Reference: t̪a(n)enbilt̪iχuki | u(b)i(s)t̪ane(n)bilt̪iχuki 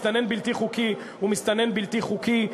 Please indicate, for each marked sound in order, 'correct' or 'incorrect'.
correct, incorrect: m, correct, correct

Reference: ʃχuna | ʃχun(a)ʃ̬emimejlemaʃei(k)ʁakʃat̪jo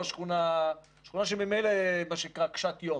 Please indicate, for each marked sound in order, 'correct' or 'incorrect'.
correct, correct

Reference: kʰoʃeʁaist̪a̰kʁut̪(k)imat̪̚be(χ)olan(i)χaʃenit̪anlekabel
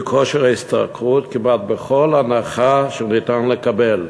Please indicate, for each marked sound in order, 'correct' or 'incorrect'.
correct, correct, incorrect: a

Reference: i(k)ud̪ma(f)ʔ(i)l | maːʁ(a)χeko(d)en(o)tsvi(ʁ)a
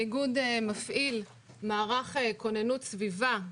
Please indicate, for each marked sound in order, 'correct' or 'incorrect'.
incorrect: ɡ, correct, correct, correct, incorrect: n, incorrect: u, incorrect: v

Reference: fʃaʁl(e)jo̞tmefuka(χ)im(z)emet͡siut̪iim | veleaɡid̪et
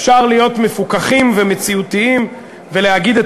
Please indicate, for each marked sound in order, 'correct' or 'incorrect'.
incorrect: i, correct, incorrect: v

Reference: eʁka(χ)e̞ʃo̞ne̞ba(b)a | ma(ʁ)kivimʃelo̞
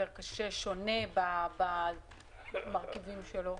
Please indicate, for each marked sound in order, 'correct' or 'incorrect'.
incorrect: ʃ, correct, correct

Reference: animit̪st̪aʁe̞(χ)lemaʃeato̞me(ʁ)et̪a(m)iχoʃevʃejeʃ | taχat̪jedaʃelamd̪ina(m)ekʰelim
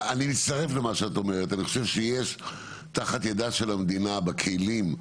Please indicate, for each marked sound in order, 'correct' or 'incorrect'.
incorrect: f, correct, incorrect: n, incorrect: b

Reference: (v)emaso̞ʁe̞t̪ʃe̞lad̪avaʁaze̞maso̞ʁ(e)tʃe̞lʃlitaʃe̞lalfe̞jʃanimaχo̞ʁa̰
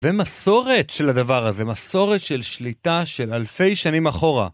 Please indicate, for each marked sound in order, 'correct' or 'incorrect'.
correct, correct

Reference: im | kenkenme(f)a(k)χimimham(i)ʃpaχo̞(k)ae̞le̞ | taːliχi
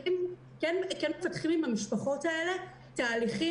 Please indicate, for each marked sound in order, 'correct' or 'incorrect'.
correct, incorrect: t, correct, incorrect: t

